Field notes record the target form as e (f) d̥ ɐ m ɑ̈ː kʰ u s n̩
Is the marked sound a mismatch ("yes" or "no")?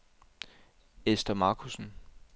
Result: yes